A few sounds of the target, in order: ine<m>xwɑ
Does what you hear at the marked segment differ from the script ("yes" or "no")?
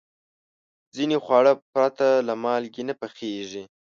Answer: yes